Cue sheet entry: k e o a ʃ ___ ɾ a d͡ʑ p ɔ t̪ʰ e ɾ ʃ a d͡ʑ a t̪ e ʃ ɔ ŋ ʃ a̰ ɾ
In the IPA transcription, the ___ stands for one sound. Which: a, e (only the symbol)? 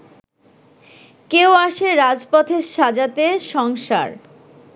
e